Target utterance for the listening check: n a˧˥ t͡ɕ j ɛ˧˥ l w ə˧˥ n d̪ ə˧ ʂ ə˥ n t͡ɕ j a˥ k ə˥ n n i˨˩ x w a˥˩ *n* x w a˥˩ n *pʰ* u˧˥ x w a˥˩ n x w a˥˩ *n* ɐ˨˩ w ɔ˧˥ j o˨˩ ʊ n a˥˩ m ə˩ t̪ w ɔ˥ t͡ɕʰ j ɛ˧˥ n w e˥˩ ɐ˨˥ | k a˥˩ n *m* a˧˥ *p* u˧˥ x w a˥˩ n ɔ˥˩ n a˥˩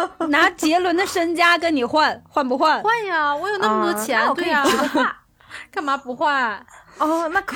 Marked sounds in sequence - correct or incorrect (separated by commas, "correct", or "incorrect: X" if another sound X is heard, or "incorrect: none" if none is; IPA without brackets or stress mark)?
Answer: correct, incorrect: p, correct, correct, correct